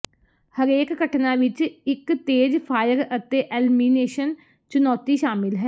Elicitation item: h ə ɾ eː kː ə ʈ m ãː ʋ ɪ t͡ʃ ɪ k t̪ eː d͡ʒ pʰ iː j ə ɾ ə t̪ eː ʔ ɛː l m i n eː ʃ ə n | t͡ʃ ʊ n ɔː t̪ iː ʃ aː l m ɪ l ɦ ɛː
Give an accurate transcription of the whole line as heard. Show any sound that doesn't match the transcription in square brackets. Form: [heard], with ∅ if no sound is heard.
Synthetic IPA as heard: h ə ɾ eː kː ə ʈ [n] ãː ʋ ɪ t͡ʃ ɪ k t̪ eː d͡ʒ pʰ [aː] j ə ɾ ə t̪ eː ʔ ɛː l m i n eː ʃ ə n | t͡ʃ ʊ n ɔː t̪ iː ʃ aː [∅] m ɪ l ɦ ɛː